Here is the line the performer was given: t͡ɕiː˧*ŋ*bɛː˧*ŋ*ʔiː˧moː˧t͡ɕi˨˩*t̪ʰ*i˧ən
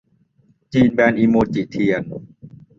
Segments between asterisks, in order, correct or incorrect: incorrect, incorrect, correct

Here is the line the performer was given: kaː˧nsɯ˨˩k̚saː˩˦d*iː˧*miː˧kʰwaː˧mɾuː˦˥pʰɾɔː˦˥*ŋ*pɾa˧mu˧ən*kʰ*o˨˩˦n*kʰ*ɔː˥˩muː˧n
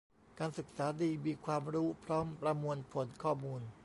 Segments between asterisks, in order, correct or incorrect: correct, incorrect, incorrect, correct

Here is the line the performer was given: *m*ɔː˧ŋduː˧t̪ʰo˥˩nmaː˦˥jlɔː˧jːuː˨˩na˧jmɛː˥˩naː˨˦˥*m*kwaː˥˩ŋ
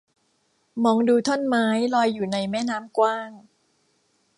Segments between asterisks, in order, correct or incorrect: correct, correct

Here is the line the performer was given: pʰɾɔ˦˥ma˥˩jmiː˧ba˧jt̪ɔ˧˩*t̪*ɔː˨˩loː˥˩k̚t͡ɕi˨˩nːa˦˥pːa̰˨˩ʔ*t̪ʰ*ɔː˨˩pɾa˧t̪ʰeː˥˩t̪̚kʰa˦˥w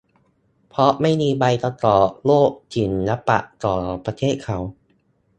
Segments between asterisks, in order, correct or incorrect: correct, incorrect

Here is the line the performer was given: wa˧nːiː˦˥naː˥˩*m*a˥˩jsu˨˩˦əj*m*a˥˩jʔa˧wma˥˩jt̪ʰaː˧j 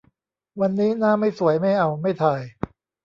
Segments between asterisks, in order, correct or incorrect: correct, correct

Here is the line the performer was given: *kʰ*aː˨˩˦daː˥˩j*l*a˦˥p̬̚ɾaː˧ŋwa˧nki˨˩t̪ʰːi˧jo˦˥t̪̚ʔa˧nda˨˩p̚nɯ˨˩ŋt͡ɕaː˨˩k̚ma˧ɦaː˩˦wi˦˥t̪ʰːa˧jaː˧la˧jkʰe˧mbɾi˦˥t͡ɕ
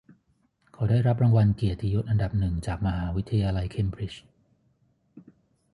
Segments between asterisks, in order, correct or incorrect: correct, incorrect

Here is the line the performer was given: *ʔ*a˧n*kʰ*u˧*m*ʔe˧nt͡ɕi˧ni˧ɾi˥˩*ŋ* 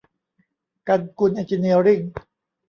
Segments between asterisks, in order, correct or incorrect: incorrect, incorrect, incorrect, correct

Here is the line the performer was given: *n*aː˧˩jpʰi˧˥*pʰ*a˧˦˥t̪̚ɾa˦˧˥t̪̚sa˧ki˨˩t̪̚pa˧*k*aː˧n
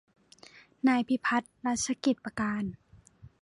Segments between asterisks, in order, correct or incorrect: correct, correct, correct

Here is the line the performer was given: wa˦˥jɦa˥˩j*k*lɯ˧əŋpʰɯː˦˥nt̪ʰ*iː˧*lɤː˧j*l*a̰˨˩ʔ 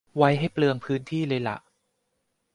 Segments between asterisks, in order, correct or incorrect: incorrect, incorrect, correct

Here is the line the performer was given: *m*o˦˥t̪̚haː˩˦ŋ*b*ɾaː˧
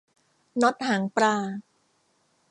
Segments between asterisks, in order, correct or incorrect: incorrect, incorrect

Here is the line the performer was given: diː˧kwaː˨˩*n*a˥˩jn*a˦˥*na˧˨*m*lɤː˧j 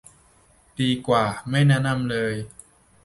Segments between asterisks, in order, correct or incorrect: incorrect, incorrect, correct

